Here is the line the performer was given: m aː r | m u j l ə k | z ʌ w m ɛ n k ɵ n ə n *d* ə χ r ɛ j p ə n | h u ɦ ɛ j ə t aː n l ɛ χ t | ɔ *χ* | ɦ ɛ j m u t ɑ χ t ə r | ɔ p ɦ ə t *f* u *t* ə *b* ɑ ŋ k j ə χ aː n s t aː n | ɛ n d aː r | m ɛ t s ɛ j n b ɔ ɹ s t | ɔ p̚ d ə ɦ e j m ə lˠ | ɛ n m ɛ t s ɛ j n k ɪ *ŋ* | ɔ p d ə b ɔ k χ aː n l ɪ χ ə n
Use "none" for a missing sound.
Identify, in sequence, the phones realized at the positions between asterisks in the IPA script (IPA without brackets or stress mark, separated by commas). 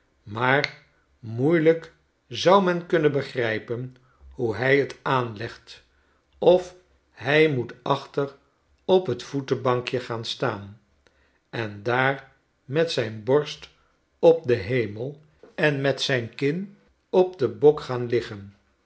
b, f, f, t, b, n